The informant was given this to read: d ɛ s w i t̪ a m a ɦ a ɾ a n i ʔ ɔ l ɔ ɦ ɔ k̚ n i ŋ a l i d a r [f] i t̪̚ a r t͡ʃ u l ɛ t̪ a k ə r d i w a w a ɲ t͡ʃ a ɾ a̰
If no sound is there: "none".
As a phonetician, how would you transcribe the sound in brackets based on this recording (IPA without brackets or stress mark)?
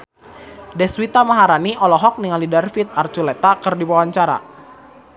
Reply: f